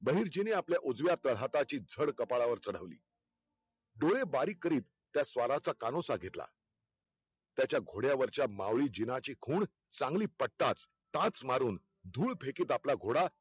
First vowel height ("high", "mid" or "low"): mid